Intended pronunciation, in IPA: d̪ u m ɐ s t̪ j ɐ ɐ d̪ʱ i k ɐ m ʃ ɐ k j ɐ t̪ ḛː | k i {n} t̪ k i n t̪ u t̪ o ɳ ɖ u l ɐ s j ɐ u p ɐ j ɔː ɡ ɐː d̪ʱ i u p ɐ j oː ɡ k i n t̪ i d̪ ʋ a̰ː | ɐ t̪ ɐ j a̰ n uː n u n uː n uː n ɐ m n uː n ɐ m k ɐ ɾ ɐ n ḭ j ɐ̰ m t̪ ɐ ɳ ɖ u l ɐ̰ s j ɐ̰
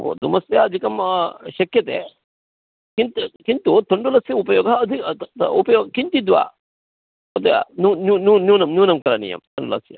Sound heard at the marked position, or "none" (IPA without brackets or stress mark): n